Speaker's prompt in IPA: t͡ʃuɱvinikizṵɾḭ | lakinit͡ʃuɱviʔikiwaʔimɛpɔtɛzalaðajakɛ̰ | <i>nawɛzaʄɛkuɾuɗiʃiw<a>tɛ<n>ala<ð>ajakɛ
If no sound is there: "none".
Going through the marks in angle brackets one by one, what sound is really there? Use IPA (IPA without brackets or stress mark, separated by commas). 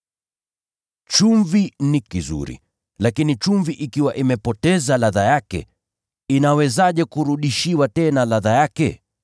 i, a, n, ð